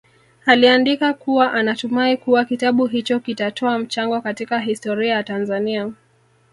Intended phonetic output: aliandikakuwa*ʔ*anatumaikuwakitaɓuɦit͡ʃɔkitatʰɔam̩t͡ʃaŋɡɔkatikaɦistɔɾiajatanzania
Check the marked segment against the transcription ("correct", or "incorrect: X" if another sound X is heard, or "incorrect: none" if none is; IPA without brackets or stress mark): correct